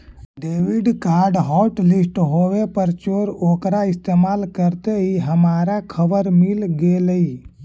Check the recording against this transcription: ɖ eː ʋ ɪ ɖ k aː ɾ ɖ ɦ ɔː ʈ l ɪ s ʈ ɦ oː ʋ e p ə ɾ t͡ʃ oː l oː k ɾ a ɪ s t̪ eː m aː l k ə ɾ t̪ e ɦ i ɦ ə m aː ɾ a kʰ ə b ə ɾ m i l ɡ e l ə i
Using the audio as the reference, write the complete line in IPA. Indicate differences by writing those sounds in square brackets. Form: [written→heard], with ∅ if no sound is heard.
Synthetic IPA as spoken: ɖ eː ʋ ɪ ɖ k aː ɾ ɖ ɦ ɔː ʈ l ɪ s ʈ ɦ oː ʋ e p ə ɾ t͡ʃ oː [l→ɾ] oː k ɾ a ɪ s t̪ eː m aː l k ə ɾ t̪ e ɦ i ɦ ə m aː ɾ a kʰ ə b ə ɾ m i l ɡ e l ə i